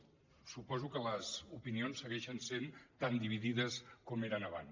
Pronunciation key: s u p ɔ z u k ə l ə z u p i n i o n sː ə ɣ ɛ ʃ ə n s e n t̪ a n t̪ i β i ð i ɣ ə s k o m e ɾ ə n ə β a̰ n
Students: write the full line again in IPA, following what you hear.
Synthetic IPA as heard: s u p ɔ z u k ə l ə z u p i n i o n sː ə ɣ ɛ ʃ ə n s e n t̪ a n d̪ i β i ð i ð ə s k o m e ɾ ə n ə β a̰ n

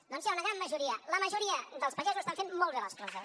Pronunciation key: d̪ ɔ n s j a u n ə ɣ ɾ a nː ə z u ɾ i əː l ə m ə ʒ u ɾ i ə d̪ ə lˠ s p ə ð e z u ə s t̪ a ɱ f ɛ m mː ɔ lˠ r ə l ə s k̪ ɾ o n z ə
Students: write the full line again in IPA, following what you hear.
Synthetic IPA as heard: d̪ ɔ n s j a u n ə ɣ ɾ a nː ə ʒ u ɾ i ə l ə m ə ʒ u ɾ i ə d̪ ə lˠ s p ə ʒ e z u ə s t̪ a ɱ f e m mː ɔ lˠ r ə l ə s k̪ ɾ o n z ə

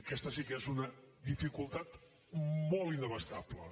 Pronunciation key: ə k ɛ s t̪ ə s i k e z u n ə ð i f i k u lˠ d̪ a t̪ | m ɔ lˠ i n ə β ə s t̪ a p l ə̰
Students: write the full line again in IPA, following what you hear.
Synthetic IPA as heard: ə k ɛ s t̪ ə s i k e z u n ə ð i f i k u lˠ t̪ a t̪ | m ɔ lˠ i n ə β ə s t̪ a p l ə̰

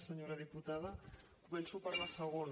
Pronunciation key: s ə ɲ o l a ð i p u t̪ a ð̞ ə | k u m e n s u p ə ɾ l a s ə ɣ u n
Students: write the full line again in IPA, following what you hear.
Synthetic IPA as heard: s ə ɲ o ɾ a ð i p u t̪ a ð̞ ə | k u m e n s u p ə ɾ l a s ə ɣ o n

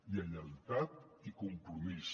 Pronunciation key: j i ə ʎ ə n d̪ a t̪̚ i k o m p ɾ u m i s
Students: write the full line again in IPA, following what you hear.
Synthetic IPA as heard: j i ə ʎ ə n t̪ a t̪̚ i k u m p ɾ u m i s

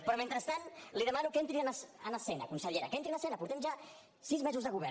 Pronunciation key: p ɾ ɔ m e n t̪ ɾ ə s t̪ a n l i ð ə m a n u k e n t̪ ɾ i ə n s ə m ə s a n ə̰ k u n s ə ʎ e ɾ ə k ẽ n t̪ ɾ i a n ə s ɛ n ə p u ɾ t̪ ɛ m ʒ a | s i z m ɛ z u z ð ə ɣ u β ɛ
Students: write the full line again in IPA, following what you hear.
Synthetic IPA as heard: p ɾ ɔ m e n t̪ ɾ ə s t̪ a n l i ð ə m a n u k e n t̪ ɾ i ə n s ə n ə s ɛ n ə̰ k u n s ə ʎ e ɾ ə k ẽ n t̪ ɾ i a n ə s ɛ n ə p u ɾ t̪ ɛ m ʒ a | s i z m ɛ z u z ð ə ɣ u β ɛ

